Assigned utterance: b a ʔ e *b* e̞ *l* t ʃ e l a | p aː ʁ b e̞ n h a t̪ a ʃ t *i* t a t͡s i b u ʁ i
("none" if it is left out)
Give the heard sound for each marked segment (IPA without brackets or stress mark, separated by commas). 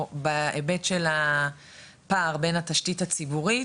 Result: b, none, i